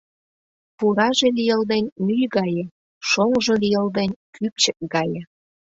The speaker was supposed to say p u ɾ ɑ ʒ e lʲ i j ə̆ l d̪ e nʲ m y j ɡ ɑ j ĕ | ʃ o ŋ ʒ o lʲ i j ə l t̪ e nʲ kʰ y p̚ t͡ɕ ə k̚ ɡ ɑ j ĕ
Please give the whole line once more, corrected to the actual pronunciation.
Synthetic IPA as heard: p u ɾ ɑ ʒ e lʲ i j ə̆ l d̪ e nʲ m y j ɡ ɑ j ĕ | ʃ o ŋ ʒ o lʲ i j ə l d̪ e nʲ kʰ y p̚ t͡ɕ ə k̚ ɡ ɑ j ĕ

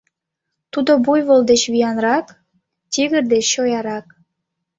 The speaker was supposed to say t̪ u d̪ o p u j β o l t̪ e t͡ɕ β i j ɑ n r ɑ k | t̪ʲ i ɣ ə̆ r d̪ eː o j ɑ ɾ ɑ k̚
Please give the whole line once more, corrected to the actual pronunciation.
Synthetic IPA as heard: t̪ u d̪ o b u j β o l d̪ e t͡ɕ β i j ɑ n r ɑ k | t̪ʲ i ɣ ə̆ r d̪ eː o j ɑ ɾ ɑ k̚

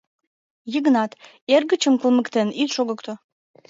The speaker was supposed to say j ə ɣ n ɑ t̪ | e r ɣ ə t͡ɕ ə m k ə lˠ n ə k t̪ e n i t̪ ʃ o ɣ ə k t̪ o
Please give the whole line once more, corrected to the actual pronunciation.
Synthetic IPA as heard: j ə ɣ n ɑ t̪ | e r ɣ ə t͡ɕ ə m k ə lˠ m ə k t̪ e n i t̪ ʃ o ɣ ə k t̪ o

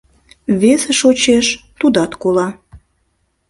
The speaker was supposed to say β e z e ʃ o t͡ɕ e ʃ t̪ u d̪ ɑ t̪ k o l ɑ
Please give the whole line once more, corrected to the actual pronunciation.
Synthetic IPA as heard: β e s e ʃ o t͡ɕ e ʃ t̪ u d̪ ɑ t̪ k o l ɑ

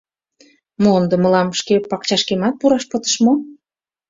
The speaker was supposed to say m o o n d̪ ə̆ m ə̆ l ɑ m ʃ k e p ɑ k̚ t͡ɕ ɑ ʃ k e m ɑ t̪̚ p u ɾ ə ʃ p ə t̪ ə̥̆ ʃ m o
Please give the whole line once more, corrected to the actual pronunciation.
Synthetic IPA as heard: m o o n d̪ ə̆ m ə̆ l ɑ m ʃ k e p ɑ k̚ t͡ɕ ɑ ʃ k e m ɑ t̪̚ p u ɾ ɑ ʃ p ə t̪ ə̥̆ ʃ m o

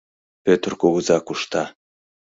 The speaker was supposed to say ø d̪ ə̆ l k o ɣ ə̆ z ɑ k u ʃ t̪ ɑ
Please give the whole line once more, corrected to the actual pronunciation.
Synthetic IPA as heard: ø t̪ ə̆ r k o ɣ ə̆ z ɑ k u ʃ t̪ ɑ

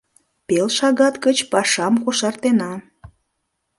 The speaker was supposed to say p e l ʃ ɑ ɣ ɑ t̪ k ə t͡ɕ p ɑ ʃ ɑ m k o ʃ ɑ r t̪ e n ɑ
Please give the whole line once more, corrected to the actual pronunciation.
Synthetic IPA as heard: p e l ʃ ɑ ɣ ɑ t̪ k ə t͡ɕ p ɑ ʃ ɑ m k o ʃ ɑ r t̪ e n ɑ

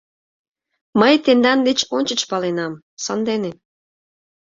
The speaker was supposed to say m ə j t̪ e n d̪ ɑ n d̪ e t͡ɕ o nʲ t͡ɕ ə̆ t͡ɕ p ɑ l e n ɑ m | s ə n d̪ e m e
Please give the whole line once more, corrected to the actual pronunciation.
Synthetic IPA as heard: m ə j t̪ e n d̪ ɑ n d̪ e t͡ɕ o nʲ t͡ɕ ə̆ t͡ɕ p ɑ l e n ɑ m | s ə n d̪ e n e

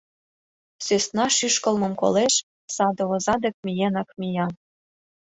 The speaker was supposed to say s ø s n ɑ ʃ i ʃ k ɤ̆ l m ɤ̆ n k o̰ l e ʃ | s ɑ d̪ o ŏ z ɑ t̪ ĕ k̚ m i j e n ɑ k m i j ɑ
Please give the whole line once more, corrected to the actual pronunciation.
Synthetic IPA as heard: s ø s n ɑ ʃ y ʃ k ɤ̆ l m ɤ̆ m k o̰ l e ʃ | s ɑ d̪ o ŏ z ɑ d̪ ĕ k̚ m i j e n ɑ k m i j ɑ

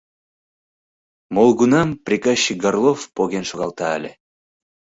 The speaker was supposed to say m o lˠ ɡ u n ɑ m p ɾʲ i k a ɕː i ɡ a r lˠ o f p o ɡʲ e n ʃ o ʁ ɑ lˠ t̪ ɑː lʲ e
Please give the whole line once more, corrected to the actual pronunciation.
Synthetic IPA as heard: m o lˠ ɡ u n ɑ m p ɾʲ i k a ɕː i ɡ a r lˠ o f p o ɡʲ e n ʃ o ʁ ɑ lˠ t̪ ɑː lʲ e

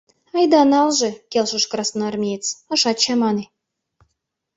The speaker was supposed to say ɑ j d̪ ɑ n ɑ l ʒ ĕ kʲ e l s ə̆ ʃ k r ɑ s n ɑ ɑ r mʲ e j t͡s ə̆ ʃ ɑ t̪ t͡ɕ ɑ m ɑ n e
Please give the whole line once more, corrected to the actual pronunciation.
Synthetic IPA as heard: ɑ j d̪ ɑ n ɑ l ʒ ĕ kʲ e l ʃ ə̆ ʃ k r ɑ s n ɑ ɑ r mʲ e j t͡s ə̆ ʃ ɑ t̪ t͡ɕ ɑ m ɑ n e

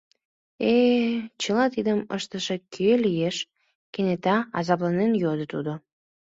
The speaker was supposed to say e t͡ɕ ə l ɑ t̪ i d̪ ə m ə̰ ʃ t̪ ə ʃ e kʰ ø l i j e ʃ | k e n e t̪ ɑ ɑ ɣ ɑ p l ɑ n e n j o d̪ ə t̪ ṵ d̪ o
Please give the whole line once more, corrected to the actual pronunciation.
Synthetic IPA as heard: e t͡ɕ ə l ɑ t̪ i d̪ ə m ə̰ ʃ t̪ ə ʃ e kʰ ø l i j e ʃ | k e n e t̪ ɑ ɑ z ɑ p l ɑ n e n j o d̪ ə t̪ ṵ d̪ o

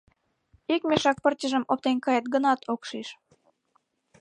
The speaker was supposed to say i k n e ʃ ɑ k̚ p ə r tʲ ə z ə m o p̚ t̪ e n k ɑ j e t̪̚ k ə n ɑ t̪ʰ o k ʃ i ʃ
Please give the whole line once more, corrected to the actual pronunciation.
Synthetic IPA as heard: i k m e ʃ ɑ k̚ p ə r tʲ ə ʒ ə m o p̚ t̪ e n k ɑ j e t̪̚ ɡ ə n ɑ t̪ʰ o k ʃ i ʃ

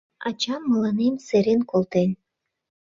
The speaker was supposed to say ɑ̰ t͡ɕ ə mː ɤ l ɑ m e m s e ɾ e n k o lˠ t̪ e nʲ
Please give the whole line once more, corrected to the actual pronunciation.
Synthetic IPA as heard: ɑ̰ t͡ɕ ɑ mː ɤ l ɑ n e m s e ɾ e n k o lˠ t̪ e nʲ

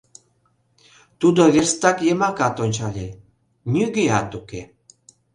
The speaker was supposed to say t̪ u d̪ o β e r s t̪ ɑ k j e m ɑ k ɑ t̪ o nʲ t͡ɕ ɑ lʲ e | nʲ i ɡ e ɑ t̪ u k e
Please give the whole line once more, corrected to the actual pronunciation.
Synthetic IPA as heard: t̪ u d̪ o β e r s t̪ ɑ k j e m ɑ k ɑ t̪ o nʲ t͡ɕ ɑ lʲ e | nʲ y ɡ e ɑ t̪ u k e

